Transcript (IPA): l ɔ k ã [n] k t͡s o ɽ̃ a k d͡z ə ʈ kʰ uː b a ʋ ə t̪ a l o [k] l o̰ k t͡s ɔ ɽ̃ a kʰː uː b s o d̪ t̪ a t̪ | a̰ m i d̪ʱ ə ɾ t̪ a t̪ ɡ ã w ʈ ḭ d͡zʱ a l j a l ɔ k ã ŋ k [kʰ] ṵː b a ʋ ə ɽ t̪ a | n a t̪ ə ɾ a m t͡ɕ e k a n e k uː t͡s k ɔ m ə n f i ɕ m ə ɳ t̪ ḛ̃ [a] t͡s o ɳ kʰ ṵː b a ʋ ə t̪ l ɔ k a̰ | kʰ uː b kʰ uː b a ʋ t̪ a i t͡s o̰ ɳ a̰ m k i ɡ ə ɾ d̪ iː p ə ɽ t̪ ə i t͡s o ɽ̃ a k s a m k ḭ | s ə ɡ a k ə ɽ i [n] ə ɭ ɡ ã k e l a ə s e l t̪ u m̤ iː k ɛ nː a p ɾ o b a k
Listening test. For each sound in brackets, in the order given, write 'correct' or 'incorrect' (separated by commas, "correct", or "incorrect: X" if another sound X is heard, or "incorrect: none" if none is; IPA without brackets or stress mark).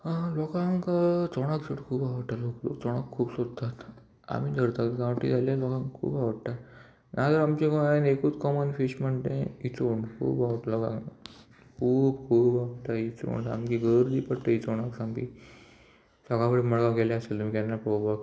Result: incorrect: ŋ, correct, correct, incorrect: i, incorrect: m